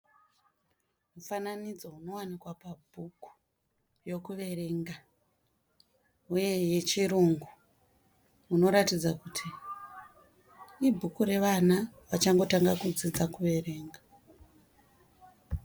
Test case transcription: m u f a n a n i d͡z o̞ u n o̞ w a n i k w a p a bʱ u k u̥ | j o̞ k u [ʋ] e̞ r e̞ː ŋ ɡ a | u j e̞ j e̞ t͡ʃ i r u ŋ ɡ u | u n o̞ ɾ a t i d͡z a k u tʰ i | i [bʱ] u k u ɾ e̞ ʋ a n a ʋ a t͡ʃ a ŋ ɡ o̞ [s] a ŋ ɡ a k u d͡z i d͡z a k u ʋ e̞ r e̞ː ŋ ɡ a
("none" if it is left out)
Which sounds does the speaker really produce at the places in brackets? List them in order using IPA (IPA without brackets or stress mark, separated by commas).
ʋ, bʱ, t